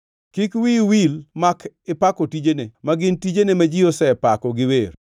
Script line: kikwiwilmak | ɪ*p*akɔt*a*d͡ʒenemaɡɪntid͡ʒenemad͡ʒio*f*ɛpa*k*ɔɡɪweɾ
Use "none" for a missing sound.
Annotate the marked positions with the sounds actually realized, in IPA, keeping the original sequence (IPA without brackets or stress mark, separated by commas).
p, i, s, k